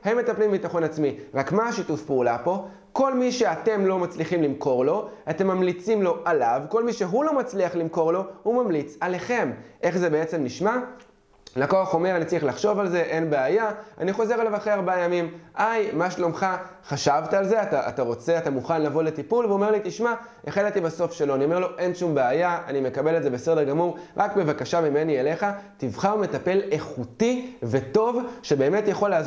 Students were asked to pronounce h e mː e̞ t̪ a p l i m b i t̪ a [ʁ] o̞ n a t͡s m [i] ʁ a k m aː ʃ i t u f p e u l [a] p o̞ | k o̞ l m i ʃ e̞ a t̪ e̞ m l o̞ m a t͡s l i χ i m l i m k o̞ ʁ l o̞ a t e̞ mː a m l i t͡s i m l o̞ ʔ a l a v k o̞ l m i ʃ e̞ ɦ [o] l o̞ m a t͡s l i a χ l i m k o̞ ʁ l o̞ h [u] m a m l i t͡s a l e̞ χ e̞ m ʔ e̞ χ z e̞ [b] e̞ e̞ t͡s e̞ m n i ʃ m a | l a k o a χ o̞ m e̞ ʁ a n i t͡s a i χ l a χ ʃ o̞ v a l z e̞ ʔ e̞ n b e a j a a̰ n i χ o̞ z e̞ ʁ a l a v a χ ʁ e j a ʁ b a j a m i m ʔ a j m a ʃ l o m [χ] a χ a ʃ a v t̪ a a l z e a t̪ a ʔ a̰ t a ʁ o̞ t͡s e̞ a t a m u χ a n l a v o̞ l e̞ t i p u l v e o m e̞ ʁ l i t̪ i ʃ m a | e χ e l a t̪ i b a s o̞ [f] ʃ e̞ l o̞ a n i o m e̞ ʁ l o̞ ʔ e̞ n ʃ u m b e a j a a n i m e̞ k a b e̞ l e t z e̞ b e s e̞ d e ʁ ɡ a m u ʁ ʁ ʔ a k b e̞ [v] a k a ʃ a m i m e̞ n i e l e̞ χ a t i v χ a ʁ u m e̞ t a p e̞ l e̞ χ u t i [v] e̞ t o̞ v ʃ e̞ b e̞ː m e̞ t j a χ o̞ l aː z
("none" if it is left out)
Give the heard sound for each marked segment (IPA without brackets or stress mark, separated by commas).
χ, i, a, u, u, b, χ, f, v, v